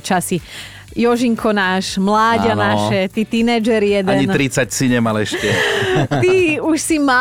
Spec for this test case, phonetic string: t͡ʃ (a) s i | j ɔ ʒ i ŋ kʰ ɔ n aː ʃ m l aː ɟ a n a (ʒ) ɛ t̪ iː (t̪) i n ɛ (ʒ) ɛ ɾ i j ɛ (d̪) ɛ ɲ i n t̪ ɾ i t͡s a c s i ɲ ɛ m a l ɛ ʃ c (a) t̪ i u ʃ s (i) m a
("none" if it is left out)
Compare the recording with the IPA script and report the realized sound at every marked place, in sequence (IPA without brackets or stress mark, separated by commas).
a, ʃ, t̪, d͡ʒ, d̪, ɛ, i